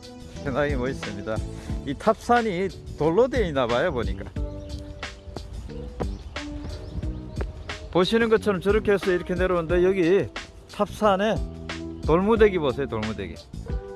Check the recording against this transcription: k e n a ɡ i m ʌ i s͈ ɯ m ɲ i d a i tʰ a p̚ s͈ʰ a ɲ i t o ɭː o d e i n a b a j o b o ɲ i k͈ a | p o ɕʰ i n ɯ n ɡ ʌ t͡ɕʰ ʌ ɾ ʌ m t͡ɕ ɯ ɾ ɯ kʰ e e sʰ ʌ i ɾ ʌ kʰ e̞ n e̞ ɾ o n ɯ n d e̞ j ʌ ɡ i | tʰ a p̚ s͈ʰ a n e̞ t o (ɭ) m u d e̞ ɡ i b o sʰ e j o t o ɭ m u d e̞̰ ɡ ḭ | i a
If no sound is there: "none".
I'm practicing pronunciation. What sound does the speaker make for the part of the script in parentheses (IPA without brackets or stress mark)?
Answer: ɭ